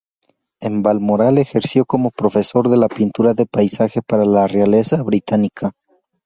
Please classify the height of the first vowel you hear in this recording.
mid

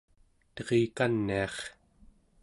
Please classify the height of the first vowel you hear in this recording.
mid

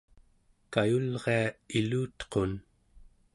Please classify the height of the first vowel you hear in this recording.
low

